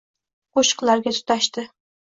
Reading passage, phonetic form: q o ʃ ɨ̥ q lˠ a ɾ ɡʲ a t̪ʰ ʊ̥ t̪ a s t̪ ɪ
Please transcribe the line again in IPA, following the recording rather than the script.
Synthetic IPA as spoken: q o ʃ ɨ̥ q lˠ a ɾ ɡʲ a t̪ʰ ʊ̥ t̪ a ʃ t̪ ɪ